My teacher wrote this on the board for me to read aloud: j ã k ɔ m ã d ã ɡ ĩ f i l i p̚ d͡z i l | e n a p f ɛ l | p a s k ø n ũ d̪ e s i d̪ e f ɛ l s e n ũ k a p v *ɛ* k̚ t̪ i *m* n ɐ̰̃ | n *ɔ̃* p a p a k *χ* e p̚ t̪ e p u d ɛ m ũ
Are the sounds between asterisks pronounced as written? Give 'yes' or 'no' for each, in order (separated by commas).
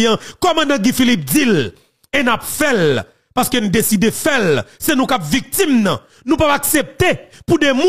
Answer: no, yes, no, no